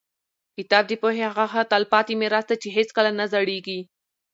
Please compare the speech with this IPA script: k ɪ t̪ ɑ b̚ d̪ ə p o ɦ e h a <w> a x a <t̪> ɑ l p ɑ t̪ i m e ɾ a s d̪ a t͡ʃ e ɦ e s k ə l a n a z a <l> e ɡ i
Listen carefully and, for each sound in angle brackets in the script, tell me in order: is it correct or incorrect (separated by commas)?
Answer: incorrect, correct, incorrect